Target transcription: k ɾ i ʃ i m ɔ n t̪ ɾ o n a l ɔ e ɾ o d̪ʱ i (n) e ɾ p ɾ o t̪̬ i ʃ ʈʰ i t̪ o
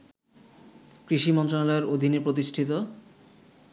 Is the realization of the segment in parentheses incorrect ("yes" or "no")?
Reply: no